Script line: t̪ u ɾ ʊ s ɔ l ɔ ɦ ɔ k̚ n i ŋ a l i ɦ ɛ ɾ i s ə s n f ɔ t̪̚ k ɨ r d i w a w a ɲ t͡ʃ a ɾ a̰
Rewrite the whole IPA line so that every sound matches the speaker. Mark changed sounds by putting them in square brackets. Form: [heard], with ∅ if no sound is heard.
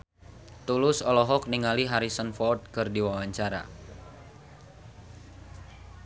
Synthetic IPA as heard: t̪ u [l] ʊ s ɔ l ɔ ɦ ɔ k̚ n i ŋ a l i ɦ [a] ɾ i s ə [∅] n f ɔ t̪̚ k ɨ r d i w a w a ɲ t͡ʃ a ɾ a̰